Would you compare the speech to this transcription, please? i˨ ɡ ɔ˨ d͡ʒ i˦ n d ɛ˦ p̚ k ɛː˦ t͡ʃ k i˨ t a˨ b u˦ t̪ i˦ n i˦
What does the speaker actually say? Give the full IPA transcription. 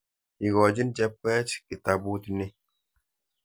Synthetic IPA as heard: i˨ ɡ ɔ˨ d͡ʒ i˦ n d͡ʒ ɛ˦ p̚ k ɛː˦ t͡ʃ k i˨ t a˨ b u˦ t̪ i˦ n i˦